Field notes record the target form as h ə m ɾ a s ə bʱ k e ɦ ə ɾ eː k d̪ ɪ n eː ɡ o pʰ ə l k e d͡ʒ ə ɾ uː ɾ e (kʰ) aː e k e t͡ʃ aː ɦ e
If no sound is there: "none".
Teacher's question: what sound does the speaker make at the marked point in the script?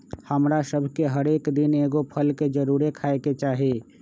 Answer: kʰ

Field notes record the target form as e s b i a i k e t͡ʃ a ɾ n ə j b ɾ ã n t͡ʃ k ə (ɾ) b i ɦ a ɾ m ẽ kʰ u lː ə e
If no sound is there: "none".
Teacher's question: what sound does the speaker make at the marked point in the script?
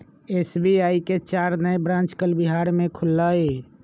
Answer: l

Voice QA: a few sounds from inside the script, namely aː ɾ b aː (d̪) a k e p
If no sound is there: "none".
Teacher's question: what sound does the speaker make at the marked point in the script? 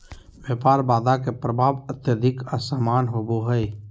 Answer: d̪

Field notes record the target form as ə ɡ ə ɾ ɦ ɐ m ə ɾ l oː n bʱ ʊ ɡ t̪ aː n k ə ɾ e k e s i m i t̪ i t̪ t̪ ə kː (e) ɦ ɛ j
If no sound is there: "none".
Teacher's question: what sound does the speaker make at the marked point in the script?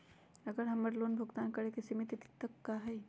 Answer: a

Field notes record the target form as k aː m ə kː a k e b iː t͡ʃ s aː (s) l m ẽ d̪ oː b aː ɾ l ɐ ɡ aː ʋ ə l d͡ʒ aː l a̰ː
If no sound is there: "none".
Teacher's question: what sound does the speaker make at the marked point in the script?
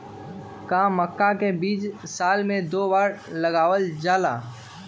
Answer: none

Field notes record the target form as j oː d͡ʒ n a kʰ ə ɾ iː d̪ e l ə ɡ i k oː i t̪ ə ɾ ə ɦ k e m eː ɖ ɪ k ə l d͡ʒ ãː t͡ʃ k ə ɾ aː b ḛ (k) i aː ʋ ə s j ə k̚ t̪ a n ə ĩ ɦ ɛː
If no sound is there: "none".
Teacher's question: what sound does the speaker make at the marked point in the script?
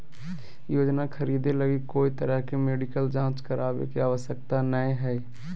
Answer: k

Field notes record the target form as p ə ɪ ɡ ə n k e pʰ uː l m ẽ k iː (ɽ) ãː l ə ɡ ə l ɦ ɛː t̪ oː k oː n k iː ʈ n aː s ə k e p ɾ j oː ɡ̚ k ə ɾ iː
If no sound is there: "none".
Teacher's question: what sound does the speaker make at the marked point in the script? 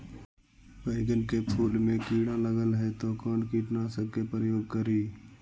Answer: ɽ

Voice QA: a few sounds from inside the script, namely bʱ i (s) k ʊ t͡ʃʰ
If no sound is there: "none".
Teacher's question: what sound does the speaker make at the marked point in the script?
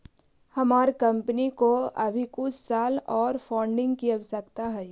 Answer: none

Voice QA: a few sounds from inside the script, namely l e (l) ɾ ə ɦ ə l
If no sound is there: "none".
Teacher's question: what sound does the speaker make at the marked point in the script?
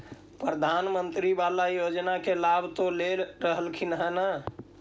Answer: l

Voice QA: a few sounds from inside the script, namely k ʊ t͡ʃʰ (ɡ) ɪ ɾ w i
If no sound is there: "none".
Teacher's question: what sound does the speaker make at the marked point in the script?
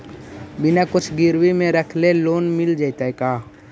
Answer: ɡ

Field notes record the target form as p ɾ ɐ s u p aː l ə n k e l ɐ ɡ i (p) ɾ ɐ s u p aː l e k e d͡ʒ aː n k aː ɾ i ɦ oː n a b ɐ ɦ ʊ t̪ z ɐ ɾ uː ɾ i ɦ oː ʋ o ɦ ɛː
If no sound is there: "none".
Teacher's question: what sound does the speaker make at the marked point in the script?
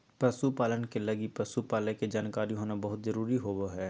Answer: p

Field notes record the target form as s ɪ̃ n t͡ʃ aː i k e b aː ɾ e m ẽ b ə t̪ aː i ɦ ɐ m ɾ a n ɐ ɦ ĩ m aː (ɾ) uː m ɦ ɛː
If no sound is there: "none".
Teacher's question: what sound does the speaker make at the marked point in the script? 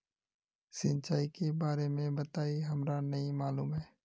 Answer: l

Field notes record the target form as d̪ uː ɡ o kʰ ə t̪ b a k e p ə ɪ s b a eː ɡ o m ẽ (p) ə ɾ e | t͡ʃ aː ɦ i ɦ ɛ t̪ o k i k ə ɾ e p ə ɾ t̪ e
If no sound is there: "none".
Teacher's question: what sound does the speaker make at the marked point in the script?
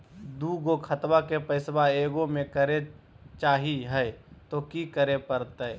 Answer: k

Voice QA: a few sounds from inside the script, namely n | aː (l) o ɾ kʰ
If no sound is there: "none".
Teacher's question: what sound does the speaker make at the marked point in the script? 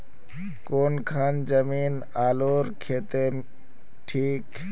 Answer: l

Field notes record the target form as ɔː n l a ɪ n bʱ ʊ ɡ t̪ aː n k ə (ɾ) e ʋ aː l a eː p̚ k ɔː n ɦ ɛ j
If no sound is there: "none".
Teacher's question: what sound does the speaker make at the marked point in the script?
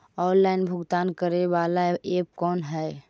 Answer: ɾ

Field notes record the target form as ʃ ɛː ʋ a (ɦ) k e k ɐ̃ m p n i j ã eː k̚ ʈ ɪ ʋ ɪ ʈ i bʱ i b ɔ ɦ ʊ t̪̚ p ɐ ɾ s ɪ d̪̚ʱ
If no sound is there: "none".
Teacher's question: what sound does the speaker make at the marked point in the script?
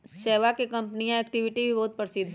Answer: none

